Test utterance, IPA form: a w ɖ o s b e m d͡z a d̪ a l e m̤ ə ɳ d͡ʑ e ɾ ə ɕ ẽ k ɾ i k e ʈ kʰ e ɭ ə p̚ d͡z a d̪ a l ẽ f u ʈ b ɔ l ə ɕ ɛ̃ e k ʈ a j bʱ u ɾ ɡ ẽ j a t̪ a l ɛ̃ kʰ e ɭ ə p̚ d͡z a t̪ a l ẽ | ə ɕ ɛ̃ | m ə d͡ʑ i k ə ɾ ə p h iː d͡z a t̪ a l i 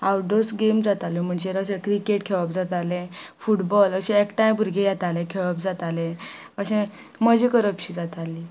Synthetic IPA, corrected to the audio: a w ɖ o s ɡ e m d͡z a t̪ a l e m̤ ə ɳ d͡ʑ e ɾ ə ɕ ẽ k ɾ i k e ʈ kʰ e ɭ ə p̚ d͡z a t̪ a l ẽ f u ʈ b ɔ l ə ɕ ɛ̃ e k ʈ a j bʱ u ɾ ɡ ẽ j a t̪ a l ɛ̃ kʰ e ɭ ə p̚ d͡z a t̪ a l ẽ | ə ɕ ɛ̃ | m ə d͡ʑ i k ə ɾ ə p ɕ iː d͡z a t̪ a l i